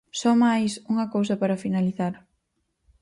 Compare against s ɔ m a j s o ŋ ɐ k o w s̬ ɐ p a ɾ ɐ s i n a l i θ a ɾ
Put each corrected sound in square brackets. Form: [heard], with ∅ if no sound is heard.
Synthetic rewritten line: s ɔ m a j s [u] ŋ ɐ k o w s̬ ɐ p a ɾ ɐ [f] i n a l i θ a ɾ